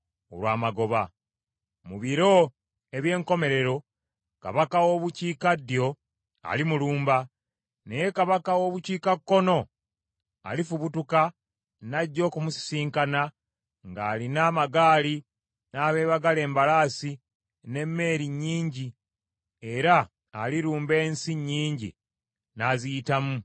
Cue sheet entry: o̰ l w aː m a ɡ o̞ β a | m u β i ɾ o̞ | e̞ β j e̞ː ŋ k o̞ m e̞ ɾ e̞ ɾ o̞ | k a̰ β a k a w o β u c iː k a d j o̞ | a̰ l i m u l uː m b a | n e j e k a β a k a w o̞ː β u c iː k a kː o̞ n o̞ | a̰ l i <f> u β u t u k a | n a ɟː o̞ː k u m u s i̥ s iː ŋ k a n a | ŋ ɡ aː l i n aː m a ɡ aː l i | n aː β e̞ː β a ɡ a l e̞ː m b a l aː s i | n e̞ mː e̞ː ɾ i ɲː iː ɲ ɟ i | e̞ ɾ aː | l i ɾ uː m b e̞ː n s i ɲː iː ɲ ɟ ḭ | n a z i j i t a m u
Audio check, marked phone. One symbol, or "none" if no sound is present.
f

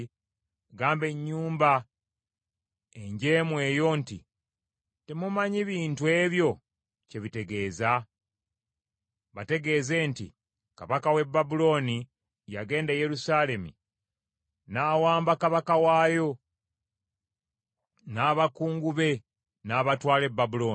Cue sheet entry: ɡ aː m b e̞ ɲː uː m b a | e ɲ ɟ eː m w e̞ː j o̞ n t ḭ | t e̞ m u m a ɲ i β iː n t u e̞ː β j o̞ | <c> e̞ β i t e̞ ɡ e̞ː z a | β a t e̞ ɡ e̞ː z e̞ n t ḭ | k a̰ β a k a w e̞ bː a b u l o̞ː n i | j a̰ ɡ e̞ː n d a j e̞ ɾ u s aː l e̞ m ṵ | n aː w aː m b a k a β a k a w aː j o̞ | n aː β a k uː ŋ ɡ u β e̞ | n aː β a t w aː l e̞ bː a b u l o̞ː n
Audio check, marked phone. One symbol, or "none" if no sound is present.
c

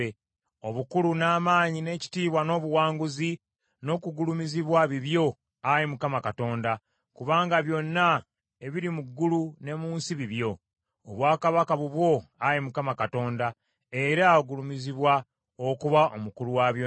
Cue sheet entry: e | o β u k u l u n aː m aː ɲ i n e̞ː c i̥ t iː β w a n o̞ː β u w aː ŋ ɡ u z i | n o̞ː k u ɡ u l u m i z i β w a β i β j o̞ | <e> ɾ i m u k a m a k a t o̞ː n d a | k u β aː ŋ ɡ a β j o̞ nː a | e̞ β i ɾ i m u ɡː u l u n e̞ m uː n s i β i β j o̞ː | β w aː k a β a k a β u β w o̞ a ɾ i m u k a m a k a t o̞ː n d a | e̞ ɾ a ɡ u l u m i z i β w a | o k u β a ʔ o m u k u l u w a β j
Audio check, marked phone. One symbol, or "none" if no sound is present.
a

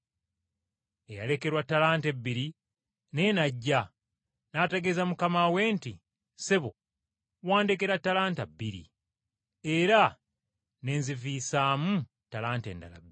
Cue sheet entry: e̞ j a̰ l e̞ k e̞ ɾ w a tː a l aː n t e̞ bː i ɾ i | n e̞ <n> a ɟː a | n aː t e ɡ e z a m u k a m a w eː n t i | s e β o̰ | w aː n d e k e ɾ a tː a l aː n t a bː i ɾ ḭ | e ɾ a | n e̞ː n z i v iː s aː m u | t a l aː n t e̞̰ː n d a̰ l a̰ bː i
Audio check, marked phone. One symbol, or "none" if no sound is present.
n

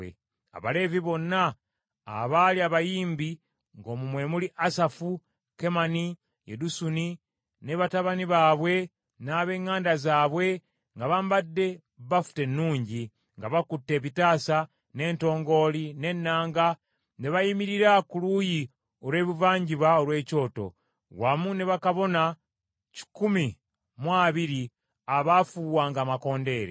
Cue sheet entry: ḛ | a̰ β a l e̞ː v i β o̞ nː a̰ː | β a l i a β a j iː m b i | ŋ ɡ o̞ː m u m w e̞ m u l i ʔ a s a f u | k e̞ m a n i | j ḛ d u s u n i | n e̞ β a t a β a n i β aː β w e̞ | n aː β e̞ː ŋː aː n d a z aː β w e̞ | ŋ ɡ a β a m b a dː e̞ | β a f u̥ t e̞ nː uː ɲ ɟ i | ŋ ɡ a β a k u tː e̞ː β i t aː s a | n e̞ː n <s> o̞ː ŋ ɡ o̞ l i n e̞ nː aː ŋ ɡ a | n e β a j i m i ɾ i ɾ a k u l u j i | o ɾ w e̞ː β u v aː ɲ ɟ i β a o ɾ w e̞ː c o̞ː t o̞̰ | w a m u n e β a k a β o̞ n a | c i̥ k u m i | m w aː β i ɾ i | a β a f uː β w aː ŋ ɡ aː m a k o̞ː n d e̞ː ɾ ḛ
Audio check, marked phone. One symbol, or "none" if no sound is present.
t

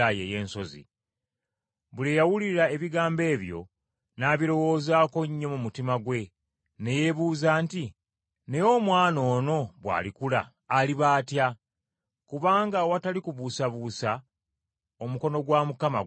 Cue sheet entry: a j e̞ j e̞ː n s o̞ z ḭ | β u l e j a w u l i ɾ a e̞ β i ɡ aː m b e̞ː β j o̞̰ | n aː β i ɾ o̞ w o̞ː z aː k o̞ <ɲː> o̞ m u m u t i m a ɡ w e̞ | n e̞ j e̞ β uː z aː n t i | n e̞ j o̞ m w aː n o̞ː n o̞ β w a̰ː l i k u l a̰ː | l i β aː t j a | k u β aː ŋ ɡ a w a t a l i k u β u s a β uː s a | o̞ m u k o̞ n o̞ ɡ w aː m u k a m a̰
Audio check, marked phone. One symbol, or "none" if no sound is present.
ɲː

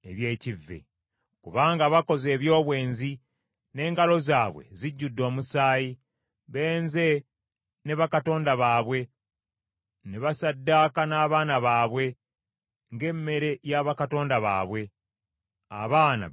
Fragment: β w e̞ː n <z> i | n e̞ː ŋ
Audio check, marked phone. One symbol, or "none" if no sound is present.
z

